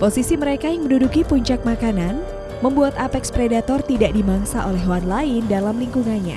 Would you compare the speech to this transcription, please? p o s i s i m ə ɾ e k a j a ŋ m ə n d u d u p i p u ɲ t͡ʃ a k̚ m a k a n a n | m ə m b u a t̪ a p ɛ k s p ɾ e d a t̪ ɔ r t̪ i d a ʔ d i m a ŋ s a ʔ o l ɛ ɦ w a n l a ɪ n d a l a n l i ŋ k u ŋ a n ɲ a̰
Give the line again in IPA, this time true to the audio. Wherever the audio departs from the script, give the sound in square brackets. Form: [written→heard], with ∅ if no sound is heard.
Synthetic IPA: p o s i s i m ə ɾ e k a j a ŋ m ə n d u d u [p→k] i p u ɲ t͡ʃ a k̚ m a k a n a n | m ə m b u a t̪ a p ɛ k s p ɾ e d a t̪ ɔ r t̪ i d a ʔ d i m a ŋ s a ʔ o l ɛ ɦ w a n l a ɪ n d a l a [n→m] l i ŋ k u ŋ a n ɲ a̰